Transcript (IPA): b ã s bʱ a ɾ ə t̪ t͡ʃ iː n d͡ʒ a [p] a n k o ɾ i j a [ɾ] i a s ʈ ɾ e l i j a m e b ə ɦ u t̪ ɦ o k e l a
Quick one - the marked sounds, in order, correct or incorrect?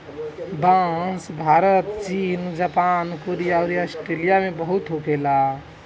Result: correct, correct

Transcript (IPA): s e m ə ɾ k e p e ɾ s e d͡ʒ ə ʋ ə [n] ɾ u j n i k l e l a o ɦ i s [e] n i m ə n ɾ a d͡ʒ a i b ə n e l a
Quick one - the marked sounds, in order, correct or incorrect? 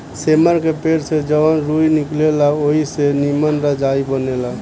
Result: correct, correct

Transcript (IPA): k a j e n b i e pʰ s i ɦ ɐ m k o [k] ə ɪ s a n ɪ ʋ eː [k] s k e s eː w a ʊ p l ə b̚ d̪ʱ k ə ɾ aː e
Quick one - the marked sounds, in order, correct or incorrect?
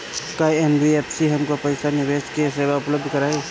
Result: incorrect: p, incorrect: none

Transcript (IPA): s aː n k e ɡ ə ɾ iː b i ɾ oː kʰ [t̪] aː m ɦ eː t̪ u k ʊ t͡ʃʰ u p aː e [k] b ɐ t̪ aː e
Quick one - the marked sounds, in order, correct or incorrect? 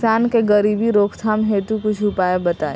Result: incorrect: t̪ʰ, incorrect: none

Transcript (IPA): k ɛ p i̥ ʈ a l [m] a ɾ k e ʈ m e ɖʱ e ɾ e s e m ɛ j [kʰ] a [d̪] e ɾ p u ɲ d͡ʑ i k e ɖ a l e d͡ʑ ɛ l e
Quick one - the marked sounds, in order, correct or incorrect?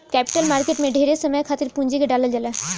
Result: correct, correct, incorrect: t̪

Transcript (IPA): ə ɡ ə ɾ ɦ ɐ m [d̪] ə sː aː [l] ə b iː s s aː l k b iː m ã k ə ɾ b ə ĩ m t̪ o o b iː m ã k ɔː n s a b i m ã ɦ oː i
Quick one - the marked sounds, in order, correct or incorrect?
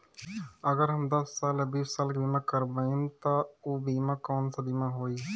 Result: correct, correct

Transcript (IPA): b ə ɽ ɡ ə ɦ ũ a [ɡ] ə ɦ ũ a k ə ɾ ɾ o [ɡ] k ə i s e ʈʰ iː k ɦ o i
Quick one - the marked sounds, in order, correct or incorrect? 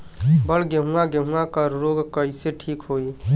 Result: correct, correct

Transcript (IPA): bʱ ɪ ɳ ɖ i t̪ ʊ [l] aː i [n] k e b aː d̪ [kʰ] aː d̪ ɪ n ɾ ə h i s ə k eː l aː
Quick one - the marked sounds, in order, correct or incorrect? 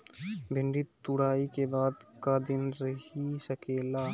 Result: incorrect: ɽ, incorrect: none, incorrect: k

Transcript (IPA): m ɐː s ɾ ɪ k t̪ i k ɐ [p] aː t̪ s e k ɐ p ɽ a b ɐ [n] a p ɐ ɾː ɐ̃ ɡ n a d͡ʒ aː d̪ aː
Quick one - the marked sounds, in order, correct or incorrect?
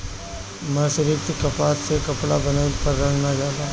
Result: correct, correct

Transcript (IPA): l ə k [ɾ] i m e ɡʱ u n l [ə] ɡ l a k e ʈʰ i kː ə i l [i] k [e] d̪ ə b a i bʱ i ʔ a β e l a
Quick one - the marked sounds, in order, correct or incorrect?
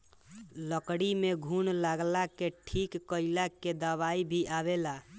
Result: incorrect: ɽ, incorrect: a, incorrect: a, correct

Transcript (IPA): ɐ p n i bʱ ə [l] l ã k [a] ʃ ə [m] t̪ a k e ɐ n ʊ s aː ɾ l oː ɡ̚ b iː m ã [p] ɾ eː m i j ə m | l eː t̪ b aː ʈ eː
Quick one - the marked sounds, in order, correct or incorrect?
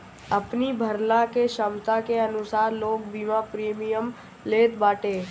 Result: incorrect: ɾ, incorrect: e, correct, correct

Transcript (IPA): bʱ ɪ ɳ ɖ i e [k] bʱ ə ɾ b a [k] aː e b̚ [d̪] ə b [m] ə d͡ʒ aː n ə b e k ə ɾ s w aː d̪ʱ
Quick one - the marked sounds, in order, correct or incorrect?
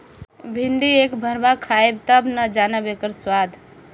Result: correct, incorrect: kʰ, incorrect: t̪, incorrect: n

